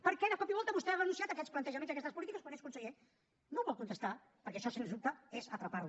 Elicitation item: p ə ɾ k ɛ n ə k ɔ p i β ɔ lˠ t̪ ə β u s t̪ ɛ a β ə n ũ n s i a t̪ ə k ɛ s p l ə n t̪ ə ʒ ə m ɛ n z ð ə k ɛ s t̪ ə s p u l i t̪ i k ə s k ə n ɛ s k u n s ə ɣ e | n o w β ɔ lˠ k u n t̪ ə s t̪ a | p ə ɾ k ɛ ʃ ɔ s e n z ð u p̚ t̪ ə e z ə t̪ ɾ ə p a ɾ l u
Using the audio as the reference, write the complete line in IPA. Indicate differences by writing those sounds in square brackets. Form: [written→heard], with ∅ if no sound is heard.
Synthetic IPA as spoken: p ə ɾ k ɛ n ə k ɔ p i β ɔ lˠ t̪ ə β u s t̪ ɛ a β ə n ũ n s i a t̪ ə k ɛ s p l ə n t̪ ə ʒ ə m [ɛ→e] n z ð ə k ɛ s t̪ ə s p u l i t̪ i k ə s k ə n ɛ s k u n s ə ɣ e | n o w β ɔ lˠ k u n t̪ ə s t̪ a | p ə ɾ k ɛ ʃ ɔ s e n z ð u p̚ t̪ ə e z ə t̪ ɾ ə p a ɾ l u